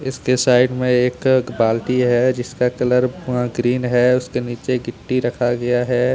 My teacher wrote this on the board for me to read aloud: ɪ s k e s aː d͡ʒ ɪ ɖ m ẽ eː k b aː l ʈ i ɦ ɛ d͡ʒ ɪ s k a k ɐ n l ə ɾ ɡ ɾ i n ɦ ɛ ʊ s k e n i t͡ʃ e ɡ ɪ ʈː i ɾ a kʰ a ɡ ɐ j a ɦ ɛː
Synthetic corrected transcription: ɪ s k e s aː ɪ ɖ m ẽ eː k b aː l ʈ i ɦ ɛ d͡ʒ ɪ s k a k ɐ l ə ɾ ɡ ɾ iː n ɦ ɛ ʊ s k e n iː t͡ʃ e ɡ ɪ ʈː i ɾ ɐ kʰ a ɡ ɐ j a ɦ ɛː